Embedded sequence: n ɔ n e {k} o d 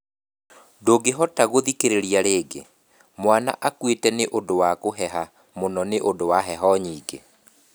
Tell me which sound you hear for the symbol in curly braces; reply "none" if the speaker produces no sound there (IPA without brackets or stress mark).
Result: ʔ